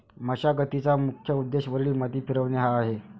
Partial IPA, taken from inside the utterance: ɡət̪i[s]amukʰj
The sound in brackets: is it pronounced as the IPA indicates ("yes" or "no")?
no